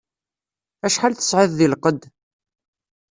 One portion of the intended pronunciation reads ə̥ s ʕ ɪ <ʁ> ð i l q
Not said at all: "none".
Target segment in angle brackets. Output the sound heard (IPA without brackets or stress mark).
ð